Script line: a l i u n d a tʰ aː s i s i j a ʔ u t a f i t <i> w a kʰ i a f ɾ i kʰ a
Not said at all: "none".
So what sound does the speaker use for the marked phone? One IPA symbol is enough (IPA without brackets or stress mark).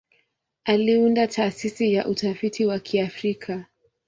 i